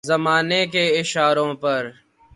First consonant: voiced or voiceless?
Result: voiced